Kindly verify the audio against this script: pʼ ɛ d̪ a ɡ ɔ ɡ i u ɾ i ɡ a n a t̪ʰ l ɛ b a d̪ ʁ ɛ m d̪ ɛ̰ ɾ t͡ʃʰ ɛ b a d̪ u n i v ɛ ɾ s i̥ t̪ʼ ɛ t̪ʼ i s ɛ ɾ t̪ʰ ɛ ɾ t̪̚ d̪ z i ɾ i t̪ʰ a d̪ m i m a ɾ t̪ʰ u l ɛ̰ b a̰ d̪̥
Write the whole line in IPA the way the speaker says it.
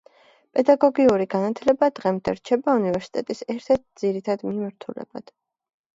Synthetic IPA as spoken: pʼ ɛ d̪ a ɡ ɔ ɡ i u ɾ i ɡ a n a t̪ʰ l ɛ b a d̪ ʁ ɛ m d̪ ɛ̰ ɾ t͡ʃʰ ɛ b a u n i v ɛ ɾ s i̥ t̪ʼ ɛ t̪ʼ i s ɛ ɾ t̪ʰ ɛ ɾ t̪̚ d̪ z i ɾ i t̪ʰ a d̪ m i m a ɾ t̪ʰ u l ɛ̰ b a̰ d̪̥

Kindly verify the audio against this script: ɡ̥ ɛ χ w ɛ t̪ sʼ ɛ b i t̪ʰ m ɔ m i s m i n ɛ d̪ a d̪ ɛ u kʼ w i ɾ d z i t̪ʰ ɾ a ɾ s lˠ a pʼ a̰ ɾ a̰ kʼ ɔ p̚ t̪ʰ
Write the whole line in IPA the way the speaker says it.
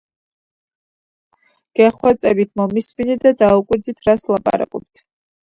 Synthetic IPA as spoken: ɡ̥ ɛ χ w ɛ t̪ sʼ ɛ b i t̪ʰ m ɔ m i s m i n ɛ d̪ a d̪ a u kʼ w i ɾ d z i t̪ʰ ɾ a s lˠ a pʼ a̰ ɾ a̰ kʼ ɔ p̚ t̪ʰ

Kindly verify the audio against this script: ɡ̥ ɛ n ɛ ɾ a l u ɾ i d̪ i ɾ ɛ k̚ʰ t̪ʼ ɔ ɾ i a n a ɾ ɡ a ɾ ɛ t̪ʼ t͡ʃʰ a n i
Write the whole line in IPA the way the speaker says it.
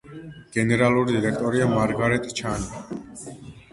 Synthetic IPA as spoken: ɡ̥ ɛ n ɛ ɾ a l u ɾ i d̪ i ɾ ɛ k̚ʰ t̪ʼ ɔ ɾ i a m a ɾ ɡ a ɾ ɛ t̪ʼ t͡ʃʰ a n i

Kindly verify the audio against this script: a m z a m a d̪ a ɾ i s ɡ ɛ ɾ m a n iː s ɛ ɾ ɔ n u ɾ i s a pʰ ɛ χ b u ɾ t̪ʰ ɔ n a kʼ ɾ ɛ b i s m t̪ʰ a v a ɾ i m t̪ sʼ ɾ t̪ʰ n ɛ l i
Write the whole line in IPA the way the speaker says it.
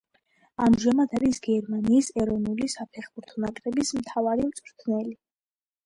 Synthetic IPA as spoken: a m ʒ a m a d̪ a ɾ i s ɡ ɛ ɾ m a n iː s ɛ ɾ ɔ n u l i s a pʰ ɛ χ b u ɾ t̪ʰ ɔ n a kʼ ɾ ɛ b i s m t̪ʰ a v a ɾ i m t̪ sʼ ɾ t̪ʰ n ɛ l i

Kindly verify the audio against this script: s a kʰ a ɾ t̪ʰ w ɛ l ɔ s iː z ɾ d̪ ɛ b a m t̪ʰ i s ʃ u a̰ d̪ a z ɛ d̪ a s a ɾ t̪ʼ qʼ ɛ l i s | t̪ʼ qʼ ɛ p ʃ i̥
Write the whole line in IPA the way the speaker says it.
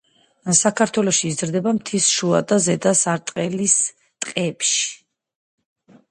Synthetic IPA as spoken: s a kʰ a ɾ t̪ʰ w ɛ l ɔ ʃ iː z ɾ d̪ ɛ b a m t̪ʰ i s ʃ u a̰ d̪ a z ɛ d̪ a s a ɾ t̪ʼ qʼ ɛ l i s | t̪ʼ qʼ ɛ p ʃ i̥

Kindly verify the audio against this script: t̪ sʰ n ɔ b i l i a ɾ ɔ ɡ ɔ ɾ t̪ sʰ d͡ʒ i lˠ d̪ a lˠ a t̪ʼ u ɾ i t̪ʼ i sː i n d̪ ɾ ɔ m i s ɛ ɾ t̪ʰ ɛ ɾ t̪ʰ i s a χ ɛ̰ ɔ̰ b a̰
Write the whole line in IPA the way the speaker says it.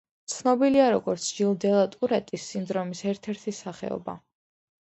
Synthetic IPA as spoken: t̪ sʰ n ɔ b i l i a ɾ ɔ ɡ ɔ ɾ t̪ sʰ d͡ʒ i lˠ d̪ ɛ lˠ a t̪ʼ u ɾ ɛ t̪ʼ i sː i n d̪ ɾ ɔ m i s ɛ ɾ t̪ʰ ɛ ɾ t̪ʰ i s a χ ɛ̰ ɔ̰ b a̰

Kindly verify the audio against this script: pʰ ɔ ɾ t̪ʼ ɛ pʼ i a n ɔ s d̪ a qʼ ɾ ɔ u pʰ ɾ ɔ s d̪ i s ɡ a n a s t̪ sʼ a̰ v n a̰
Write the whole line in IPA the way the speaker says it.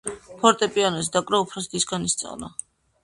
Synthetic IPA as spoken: pʰ ɔ ɾ t̪ʼ ɛ pʼ i a n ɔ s d̪ a kʼ ɾ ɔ u pʰ ɾ ɔ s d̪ i s ɡ a n i s t̪ sʼ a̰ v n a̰

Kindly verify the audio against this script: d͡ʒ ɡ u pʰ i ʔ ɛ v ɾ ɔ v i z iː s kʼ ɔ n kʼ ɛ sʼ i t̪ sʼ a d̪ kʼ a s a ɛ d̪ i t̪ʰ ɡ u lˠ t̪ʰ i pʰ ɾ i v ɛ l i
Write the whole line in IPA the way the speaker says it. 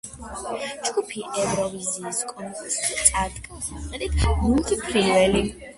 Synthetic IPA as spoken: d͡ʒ ɡ u pʰ i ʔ ɛ v ɾ ɔ v i z iː s kʼ ɔ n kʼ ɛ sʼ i t̪ sʼ a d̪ kʼ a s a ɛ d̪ i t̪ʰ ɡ u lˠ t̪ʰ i pʰ ɾ i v ɛ l i

